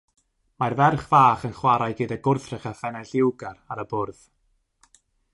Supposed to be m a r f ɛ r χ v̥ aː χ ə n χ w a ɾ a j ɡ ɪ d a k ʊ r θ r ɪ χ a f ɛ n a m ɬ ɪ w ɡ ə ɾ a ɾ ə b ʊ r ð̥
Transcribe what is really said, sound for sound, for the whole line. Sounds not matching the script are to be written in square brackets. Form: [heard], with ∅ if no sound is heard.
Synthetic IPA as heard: m a r [v] ɛ r χ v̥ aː χ ə n χ w a ɾ a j ɡ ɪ d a [ɡ] ʊ r θ r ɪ χ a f ɛ n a [∅] ɬ ɪ w ɡ [a] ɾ a ɾ ə b ʊ r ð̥